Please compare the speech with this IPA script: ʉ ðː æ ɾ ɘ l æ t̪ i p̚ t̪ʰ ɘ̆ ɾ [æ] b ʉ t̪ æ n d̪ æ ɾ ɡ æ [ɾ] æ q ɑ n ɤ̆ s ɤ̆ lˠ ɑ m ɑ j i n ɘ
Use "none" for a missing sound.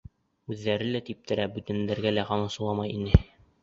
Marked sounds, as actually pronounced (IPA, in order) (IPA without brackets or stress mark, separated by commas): æ, l